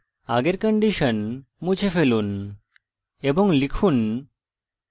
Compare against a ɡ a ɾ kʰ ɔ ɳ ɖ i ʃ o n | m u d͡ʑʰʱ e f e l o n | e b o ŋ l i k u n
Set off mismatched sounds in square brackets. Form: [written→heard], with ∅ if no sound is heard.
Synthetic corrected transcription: a ɡ [a→e] ɾ [kʰ→k] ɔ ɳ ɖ i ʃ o n | m u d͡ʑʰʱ e f e l [o→u] n | e b o ŋ l i [k→kʰ] u n